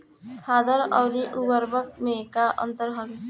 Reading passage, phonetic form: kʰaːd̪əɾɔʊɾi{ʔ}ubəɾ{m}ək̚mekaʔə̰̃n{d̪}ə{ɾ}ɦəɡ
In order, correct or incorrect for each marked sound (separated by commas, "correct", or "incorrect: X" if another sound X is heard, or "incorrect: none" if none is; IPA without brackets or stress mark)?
correct, incorrect: b, incorrect: t̪, correct